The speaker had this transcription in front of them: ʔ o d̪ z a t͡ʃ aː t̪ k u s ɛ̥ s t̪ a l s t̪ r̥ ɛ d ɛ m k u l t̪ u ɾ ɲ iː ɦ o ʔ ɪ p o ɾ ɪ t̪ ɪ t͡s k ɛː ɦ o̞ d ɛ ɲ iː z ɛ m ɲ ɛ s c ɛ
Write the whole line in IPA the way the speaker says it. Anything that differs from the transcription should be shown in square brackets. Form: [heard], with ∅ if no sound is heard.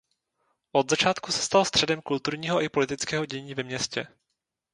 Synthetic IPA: ʔ o d̪ z a t͡ʃ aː t̪ k u s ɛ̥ s t̪ a l s t̪ r̥ ɛ d ɛ m k u l t̪ u ɾ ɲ iː ɦ o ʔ ɪ p o [l] ɪ t̪ ɪ t͡s k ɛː ɦ o̞ [ɟ] ɛ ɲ iː [v] ɛ m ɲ ɛ s c ɛ